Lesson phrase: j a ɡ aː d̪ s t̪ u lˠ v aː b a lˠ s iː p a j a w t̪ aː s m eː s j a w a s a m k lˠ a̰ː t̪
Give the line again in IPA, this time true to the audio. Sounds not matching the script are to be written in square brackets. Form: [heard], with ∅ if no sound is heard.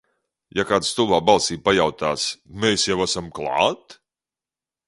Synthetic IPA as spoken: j a [k] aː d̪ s t̪ u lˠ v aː b a lˠ s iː p a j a w t̪ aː s m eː s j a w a s a m k lˠ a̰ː t̪